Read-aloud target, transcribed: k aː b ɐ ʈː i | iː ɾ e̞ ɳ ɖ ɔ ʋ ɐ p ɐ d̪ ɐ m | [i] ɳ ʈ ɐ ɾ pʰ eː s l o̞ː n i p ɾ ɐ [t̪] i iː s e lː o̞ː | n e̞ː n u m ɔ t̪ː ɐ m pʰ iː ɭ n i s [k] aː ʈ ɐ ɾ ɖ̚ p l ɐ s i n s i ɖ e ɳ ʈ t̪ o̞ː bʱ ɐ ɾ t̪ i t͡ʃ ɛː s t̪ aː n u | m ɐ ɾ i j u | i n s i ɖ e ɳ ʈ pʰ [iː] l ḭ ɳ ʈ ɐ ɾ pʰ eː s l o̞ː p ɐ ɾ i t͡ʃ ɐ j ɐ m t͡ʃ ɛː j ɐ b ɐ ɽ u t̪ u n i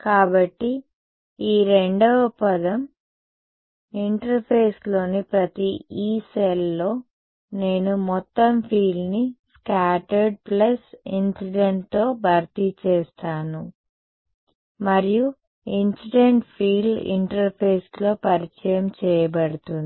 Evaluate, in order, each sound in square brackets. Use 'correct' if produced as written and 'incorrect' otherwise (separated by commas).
correct, correct, correct, correct